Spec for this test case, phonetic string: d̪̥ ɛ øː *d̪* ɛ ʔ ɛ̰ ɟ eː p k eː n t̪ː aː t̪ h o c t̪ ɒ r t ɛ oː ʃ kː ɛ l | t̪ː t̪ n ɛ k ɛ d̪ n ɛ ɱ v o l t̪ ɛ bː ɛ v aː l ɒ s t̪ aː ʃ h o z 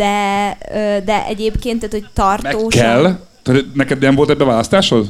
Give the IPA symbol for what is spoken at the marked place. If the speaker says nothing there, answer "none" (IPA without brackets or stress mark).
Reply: d̪